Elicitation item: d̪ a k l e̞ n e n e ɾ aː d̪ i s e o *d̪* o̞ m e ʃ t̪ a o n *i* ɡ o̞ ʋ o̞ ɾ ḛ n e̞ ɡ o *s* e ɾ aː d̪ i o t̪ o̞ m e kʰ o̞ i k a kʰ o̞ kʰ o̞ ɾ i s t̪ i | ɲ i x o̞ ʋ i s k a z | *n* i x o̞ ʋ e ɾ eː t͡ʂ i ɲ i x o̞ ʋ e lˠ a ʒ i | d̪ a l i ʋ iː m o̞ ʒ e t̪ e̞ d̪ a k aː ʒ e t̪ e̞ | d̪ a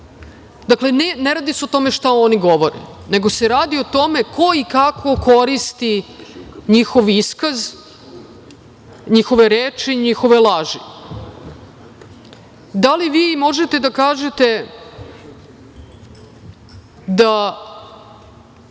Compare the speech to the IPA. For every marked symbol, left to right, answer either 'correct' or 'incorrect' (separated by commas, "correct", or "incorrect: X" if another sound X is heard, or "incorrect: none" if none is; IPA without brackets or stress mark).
incorrect: t̪, correct, correct, incorrect: ɲ